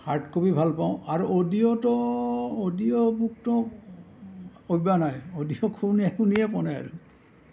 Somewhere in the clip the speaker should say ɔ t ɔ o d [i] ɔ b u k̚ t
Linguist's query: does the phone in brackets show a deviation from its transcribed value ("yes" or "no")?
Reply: no